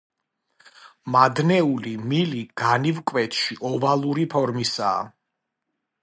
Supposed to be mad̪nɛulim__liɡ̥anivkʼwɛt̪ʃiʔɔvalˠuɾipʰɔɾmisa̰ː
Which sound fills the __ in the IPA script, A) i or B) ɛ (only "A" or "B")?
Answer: A